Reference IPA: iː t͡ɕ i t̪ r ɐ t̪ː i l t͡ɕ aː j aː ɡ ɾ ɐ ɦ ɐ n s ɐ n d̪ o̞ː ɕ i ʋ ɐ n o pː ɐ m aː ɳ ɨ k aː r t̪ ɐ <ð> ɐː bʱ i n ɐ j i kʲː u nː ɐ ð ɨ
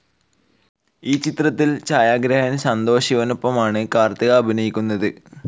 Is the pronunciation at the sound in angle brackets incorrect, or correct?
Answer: incorrect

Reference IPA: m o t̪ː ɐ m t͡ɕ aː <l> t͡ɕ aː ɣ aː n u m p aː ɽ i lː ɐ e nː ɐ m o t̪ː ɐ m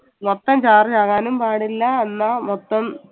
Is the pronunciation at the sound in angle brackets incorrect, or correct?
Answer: incorrect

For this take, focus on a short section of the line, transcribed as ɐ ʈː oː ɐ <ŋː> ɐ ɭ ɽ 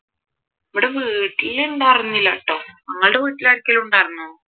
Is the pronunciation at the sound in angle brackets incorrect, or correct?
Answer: correct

